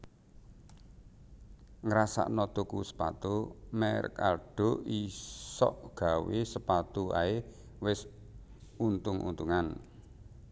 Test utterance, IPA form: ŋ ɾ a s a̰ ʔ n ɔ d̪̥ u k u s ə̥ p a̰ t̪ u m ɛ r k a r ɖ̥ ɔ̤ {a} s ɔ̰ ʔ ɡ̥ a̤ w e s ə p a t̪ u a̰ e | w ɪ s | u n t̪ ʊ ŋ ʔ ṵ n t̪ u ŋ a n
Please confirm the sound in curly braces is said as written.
no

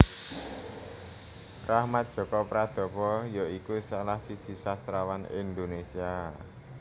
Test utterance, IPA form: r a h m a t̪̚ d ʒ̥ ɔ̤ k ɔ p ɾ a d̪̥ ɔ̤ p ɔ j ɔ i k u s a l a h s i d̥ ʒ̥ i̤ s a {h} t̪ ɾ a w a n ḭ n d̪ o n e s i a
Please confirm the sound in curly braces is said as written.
no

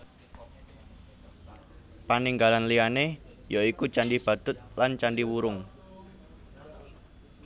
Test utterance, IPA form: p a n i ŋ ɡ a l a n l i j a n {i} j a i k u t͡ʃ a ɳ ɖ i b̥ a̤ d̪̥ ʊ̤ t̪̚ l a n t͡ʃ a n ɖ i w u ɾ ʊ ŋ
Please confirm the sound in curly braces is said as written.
no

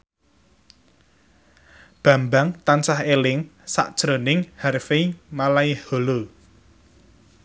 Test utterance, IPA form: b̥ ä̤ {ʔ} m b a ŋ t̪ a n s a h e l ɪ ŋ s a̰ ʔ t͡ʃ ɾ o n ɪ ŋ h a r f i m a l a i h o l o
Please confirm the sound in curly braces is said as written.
no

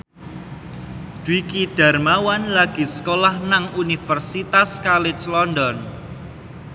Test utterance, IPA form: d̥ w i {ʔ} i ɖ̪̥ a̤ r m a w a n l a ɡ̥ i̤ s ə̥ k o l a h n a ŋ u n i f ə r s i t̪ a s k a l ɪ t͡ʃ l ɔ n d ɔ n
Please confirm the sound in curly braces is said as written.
no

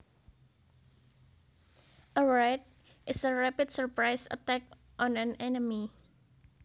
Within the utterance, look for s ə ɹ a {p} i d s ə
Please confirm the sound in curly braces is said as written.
yes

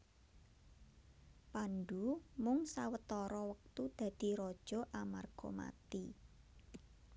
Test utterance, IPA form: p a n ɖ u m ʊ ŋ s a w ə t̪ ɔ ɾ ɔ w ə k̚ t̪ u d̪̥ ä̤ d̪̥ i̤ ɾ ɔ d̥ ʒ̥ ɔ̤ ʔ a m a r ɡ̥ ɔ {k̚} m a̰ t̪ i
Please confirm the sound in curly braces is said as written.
no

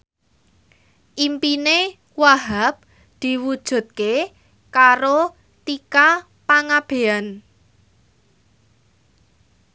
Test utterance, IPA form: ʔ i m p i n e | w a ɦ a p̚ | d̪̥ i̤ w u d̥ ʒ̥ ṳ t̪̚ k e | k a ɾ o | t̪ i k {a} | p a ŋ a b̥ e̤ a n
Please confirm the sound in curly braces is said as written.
yes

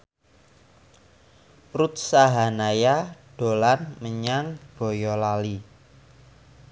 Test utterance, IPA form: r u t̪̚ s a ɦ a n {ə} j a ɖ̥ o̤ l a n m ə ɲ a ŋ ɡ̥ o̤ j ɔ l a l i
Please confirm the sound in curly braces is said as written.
no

